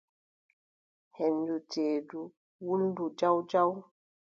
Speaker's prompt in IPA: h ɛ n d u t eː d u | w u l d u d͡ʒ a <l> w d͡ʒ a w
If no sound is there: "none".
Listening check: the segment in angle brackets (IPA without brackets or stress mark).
none